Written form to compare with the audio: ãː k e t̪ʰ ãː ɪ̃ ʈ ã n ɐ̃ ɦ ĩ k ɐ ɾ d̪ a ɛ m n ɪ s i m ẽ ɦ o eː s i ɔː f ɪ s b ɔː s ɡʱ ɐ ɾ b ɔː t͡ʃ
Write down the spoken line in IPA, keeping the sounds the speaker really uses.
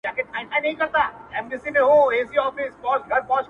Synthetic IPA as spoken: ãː k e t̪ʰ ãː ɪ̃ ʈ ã n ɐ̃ ɦ ĩ k ɐ ɾ t̪ a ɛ m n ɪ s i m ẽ ɦ o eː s i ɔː f ɪ s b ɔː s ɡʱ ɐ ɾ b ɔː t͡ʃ